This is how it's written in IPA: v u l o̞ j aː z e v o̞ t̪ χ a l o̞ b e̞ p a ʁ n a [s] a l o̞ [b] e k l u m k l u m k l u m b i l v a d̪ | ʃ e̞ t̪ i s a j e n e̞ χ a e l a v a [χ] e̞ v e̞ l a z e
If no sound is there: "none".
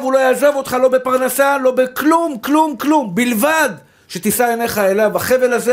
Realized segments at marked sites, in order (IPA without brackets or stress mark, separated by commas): s, b, χ